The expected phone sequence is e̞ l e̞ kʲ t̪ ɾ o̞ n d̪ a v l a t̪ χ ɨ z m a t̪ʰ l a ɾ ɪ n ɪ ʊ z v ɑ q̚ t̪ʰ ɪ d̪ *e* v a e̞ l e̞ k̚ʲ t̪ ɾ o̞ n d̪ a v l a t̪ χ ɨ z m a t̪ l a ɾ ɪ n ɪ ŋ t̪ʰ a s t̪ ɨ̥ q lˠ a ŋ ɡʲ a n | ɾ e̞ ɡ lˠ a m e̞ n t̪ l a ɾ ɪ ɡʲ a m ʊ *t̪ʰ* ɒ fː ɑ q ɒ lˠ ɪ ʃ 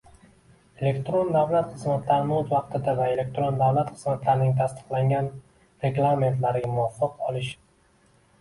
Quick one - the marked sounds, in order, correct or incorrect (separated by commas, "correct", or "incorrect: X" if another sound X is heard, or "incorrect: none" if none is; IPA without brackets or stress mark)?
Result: incorrect: a, incorrect: none